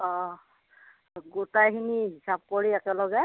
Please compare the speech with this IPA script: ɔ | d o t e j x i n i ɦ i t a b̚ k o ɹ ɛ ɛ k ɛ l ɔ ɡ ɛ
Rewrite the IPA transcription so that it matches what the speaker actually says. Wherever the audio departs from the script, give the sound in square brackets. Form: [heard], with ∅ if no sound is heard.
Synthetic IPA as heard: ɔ | [ɡ] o t [a] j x i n i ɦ i [s] a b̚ k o ɹ [i] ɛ k ɛ l ɔ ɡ ɛ